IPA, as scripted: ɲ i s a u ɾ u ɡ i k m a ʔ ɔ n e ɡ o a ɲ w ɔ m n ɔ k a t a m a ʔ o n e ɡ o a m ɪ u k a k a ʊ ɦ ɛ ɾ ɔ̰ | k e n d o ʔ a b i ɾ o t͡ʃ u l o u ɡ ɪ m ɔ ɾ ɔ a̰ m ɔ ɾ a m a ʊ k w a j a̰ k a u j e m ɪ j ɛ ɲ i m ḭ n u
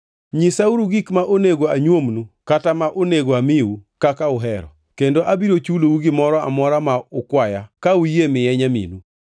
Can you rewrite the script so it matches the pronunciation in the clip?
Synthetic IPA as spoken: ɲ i s a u ɾ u ɡ i k m a ʔ o n e ɡ o a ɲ w o m n u k a t a m a ʔ o n e ɡ o a m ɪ u k a k a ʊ ɦ ɛ ɾ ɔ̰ | k e n d o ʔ a b i ɾ o t͡ʃ u l o u ɡ ɪ m ɔ ɾ ɔ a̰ m ɔ ɾ a m a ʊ k w a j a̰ k a u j e m ɪ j ɛ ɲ a m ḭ n u

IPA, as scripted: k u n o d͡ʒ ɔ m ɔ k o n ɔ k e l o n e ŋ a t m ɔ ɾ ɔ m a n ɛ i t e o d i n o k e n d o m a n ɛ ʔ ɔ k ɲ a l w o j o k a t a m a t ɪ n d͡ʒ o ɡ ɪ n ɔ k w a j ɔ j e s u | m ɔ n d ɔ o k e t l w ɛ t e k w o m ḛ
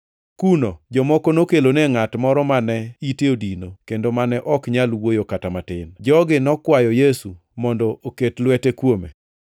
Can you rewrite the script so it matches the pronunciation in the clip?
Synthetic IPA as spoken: k u n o d͡ʒ ɔ m ɔ k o n o k e l o n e ŋ a t m ɔ ɾ ɔ m a n ɛ i t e o d i n o k e n d o m a n ɛ ʔ ɔ k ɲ a l w o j o k a t a m a t ɪ n d͡ʒ ɔ ɡ ɪ n ɔ k w a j ɔ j e s u | m ɔ n d ɔ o k e t l w ɛ t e k w o m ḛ

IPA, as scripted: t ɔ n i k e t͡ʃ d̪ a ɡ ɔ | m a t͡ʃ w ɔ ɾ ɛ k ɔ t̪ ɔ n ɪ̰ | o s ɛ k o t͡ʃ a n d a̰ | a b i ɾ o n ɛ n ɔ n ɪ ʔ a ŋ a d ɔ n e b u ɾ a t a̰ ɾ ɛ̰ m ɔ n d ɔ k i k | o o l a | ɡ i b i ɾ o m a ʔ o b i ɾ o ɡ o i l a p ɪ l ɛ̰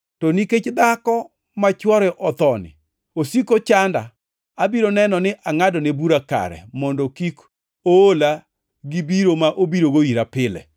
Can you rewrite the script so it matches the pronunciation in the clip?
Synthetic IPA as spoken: t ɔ n i k e t͡ʃ d̪ a k ɔ | m a t͡ʃ w ɔ ɾ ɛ ʔ ɔ t̪ ɔ n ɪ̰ | o s i k o t͡ʃ a n d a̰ | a b i ɾ o n ɛ n ɔ n ɪ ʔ a ŋ a d ɔ n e b u ɾ a k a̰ ɾ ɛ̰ m ɔ n d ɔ k i k | o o l a | ɡ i b i ɾ o m a ʔ o b i ɾ o ɡ o i ɾ a p ɪ l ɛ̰

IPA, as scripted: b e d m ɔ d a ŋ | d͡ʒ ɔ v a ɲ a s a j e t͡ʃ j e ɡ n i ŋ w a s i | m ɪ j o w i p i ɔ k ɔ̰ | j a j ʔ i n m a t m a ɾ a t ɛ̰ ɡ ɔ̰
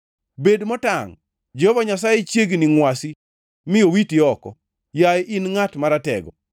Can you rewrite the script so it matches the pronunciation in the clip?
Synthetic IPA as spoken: b e d m ɔ t a ŋ | d͡ʒ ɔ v a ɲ a s a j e t͡ʃ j e ɡ n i ŋ w a s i | m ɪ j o w i t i ɔ k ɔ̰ | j a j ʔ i n ŋ a t m a ɾ a t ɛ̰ ɡ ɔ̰

